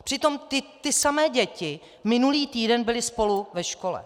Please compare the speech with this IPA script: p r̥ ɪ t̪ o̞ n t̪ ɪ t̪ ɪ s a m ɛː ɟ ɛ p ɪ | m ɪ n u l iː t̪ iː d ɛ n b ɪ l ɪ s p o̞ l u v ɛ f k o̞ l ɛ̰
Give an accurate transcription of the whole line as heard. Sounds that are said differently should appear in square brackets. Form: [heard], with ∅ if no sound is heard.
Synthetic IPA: p r̥ ɪ t̪ o̞ [m] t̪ ɪ t̪ ɪ s a m ɛː ɟ ɛ [c] ɪ | m ɪ n u l iː t̪ iː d ɛ n b ɪ l ɪ s p o̞ l u v ɛ [ʃ] k o̞ l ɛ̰